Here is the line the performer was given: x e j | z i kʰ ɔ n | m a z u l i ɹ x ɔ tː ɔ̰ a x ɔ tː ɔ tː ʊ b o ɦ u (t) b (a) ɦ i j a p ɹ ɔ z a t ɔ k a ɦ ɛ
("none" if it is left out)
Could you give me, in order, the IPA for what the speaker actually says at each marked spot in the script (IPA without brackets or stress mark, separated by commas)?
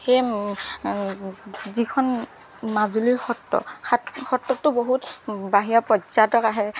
t, a